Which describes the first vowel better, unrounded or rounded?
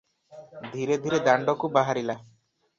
unrounded